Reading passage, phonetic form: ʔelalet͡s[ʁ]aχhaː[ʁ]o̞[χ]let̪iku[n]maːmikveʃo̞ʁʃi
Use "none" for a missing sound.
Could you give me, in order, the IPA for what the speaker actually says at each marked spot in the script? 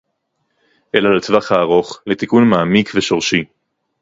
v, ʁ, χ, n

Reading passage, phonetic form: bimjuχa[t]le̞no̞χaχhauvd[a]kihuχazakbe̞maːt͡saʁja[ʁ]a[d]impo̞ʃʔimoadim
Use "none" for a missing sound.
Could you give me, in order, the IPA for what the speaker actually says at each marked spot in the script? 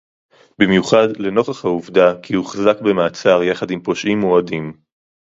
d, a, χ, d

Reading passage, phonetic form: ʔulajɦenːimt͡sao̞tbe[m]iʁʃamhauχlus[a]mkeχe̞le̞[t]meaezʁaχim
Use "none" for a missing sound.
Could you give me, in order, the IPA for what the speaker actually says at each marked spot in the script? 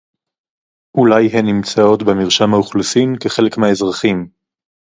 m, i, k

